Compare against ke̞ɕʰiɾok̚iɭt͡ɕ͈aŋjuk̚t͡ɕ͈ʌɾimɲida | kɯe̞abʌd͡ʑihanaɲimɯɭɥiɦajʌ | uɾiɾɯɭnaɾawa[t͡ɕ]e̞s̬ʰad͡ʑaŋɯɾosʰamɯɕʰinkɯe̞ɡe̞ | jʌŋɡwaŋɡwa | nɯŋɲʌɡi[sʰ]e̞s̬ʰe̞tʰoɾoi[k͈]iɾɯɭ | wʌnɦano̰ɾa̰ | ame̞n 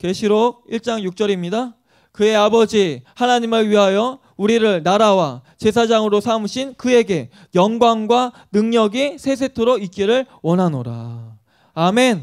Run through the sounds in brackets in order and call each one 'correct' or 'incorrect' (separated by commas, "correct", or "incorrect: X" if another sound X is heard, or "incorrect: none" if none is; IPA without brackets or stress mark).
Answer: correct, correct, correct